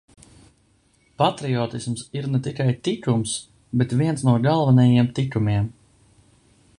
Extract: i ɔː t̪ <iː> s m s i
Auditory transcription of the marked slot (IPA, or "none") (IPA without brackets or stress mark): i